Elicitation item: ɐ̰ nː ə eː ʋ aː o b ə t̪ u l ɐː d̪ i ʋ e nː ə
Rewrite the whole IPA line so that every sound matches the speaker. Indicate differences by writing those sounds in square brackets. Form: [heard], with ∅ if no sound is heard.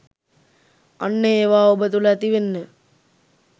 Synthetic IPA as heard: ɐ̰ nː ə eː ʋ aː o b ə t̪ u l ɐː [t̪] i ʋ e nː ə